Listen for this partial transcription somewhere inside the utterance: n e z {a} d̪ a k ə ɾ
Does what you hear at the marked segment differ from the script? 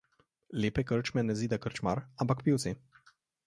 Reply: yes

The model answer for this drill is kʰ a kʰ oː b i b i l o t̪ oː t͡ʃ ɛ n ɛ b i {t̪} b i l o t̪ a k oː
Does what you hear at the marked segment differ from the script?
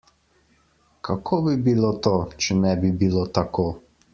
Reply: yes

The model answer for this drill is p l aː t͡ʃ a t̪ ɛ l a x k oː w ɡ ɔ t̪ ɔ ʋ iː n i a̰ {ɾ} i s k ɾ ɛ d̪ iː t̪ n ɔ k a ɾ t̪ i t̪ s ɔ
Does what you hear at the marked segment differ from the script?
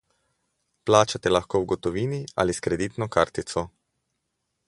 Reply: yes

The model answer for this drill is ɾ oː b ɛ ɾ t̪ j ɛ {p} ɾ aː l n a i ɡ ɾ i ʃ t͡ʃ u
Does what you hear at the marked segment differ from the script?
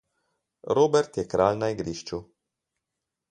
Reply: yes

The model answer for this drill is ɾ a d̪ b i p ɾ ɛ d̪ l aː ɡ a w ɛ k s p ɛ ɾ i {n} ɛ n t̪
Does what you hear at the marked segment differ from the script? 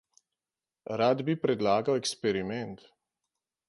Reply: yes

